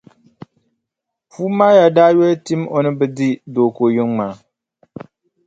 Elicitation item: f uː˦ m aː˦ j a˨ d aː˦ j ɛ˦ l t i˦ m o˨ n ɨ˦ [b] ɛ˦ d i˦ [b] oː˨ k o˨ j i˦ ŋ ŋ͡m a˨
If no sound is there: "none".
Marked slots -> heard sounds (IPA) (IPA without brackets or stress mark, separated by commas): b, d